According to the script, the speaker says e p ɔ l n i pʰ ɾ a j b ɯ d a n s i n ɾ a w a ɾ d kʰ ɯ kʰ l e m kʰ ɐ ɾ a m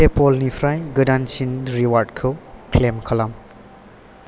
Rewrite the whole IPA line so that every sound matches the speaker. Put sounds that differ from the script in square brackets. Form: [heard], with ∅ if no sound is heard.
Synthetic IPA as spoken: e p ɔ l n i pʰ ɾ a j [ɡ] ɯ d a n s i n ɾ [i] w a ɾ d kʰ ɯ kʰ l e m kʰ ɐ [l] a m

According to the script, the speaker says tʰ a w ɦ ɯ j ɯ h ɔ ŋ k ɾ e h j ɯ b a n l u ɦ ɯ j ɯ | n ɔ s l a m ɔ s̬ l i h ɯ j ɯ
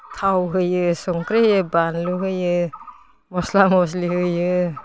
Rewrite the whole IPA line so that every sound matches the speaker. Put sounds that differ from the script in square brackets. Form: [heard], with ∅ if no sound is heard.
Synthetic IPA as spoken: tʰ a w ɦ ɯ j ɯ [s] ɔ ŋ k ɾ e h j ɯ b a n l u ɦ ɯ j ɯ | [m] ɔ s l a m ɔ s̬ l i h ɯ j ɯ

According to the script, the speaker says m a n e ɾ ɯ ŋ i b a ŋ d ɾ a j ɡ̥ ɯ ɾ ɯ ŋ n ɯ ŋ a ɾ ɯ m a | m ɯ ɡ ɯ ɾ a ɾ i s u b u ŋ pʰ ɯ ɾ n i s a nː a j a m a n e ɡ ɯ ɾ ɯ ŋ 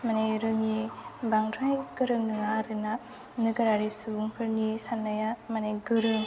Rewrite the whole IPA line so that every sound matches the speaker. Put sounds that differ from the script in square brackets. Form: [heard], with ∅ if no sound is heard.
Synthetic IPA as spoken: m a n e ɾ ɯ ŋ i b a ŋ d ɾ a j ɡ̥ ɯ ɾ ɯ ŋ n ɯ ŋ a ɾ ɯ [n] a | [n] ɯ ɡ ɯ ɾ a ɾ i s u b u ŋ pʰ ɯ ɾ n i s a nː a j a m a n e ɡ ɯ ɾ ɯ ŋ

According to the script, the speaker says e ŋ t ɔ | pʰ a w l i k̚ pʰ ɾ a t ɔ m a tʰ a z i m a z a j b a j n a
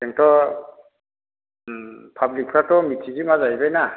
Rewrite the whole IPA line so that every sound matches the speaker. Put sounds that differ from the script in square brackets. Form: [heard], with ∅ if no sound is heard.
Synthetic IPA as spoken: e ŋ t ɔ | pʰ a [b] l i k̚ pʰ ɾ a t ɔ m [i] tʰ [i] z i m a z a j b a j n a

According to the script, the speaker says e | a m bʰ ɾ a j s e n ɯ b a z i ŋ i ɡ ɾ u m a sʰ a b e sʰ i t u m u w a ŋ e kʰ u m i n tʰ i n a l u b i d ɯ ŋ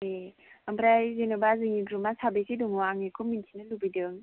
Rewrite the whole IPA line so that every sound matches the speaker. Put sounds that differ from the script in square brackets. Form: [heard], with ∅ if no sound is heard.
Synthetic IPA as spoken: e | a m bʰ ɾ a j [z] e n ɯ b a z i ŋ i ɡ ɾ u m a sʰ a b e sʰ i [d] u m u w a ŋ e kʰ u m i n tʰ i n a l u b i d ɯ ŋ

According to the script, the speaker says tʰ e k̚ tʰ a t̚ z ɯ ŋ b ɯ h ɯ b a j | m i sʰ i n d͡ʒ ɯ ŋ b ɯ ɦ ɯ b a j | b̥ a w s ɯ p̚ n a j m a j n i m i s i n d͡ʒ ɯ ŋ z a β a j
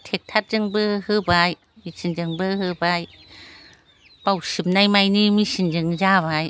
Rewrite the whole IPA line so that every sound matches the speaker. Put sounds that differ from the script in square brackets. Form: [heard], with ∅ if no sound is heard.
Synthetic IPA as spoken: tʰ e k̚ tʰ a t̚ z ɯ ŋ b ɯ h ɯ b a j | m i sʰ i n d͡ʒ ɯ ŋ b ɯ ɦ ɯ b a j | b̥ a w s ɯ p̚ n a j m a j n i m i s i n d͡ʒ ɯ ŋ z a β a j

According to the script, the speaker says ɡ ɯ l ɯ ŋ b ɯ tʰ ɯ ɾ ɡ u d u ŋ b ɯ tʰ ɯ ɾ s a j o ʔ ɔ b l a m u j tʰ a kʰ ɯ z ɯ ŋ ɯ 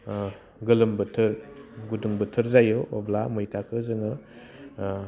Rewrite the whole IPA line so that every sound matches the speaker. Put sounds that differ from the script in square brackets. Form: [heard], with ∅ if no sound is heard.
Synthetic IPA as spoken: ɡ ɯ l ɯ [m] b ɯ tʰ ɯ ɾ ɡ u d u ŋ b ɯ tʰ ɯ ɾ [z] a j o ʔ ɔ b l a m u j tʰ a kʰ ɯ z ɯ ŋ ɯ

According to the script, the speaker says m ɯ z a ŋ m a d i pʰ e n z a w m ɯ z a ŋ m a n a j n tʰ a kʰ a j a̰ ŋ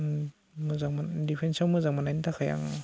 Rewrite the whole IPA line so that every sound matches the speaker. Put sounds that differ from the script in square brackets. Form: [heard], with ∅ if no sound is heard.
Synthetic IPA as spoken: m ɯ z a ŋ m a d i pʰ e n [s] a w m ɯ z a ŋ m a n a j n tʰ a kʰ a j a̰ ŋ

